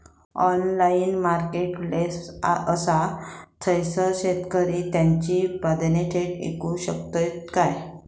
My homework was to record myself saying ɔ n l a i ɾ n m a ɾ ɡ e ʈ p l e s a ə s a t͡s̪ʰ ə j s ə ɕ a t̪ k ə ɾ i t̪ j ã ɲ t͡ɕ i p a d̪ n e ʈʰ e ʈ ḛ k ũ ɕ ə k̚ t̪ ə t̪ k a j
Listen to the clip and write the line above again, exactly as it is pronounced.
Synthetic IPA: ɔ n l a i n m a ɾ k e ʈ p l e s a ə s a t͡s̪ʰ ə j s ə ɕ e t̪ k ə ɾ i t̪ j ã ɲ t͡ɕ i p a d̪ n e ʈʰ e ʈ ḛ k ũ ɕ ə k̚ t̪ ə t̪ k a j